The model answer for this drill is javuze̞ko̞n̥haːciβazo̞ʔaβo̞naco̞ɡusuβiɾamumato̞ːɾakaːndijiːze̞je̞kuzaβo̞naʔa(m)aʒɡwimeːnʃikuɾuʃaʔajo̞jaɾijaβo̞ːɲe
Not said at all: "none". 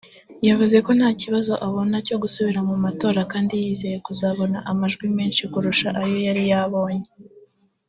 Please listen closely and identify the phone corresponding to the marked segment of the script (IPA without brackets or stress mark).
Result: m